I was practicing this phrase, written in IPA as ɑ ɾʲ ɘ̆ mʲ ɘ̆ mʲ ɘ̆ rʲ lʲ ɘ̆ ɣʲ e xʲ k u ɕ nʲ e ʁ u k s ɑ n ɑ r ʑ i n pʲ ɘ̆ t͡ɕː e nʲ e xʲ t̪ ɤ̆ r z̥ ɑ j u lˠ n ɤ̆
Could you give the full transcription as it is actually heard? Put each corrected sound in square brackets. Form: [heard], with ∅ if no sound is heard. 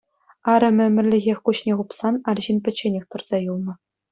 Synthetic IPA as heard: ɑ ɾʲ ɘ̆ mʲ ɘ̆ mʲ ɘ̆ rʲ lʲ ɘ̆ ɣʲ e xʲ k u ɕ nʲ e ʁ u [p] s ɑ n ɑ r ʑ i n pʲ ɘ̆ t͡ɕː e nʲ e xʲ t̪ ɤ̆ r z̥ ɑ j u lˠ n ɤ̆

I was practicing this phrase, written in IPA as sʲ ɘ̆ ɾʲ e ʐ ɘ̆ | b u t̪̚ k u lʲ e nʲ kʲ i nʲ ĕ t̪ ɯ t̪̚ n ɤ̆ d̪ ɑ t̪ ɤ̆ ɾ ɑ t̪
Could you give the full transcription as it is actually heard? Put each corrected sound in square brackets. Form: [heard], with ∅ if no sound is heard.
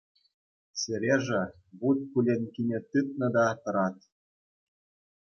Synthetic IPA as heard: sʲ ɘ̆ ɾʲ e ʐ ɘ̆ | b u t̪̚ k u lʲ e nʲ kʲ i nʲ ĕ t̪ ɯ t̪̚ n ɤ̆ d̪ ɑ t̪ ɤ̆ ɾ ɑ t̪

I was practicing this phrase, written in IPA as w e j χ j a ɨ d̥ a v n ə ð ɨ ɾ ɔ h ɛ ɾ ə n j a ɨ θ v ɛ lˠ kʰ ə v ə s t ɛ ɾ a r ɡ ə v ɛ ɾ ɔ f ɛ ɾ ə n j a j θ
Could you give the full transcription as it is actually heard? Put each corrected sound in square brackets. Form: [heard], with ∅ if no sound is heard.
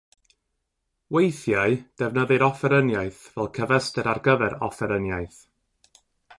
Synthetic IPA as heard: w e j [θ] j a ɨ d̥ [ɛ] v n ə ð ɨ ɾ ɔ [f] ɛ ɾ ə n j a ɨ θ v ɛ lˠ kʰ ə v ə s t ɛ ɾ a r ɡ ə v ɛ ɾ ɔ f ɛ ɾ ə n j a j θ

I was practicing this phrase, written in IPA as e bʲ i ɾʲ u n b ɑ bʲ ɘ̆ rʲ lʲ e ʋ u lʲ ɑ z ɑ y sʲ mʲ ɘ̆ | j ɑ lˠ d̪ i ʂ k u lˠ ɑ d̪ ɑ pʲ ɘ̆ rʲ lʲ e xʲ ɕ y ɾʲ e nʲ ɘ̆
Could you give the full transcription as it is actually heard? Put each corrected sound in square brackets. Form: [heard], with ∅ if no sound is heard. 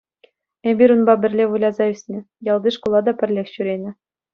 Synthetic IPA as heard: e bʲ i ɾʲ u n b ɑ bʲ ɘ̆ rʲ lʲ e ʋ u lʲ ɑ z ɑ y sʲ [nʲ] ɘ̆ | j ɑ lˠ d̪ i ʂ k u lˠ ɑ d̪ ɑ pʲ ɘ̆ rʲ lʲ e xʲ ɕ y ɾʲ e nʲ ɘ̆

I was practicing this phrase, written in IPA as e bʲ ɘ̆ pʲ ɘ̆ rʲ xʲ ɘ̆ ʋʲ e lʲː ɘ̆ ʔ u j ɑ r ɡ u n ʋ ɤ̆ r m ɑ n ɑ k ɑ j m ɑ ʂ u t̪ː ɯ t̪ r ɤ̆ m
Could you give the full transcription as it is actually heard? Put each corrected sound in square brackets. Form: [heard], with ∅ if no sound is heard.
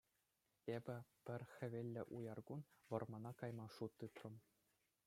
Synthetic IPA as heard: e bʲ ɘ̆ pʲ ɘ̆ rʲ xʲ ɘ̆ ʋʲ e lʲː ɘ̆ ʔ u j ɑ r ɡ u n ʋ ɤ̆ r m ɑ n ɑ k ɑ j m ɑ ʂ u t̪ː ɯ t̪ r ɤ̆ m

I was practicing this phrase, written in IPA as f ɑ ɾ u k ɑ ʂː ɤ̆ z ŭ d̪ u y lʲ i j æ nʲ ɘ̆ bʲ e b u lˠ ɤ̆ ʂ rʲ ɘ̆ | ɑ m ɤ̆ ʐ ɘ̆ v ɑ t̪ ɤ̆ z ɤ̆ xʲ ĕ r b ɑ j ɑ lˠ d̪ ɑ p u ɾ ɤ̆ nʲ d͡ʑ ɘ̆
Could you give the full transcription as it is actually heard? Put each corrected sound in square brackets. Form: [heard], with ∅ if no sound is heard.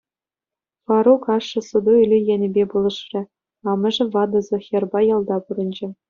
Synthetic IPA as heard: f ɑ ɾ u k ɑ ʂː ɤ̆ [s] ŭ d̪ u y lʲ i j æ nʲ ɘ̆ bʲ e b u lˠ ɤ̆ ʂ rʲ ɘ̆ | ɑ m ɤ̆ ʐ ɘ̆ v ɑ [d̪] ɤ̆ z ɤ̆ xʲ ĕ r b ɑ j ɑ lˠ d̪ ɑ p u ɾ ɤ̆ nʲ d͡ʑ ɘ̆

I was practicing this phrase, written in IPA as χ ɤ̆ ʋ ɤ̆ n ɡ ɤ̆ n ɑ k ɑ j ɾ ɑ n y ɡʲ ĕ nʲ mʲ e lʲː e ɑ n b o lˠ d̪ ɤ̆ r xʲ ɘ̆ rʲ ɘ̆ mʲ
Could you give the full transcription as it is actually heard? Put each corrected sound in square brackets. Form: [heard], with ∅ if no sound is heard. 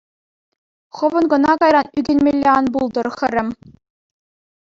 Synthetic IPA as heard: χ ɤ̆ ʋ ɤ̆ n ɡ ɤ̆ n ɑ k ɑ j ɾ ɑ n y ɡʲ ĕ nʲ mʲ e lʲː e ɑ n b [u] lˠ d̪ ɤ̆ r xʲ ɘ̆ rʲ ɘ̆ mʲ

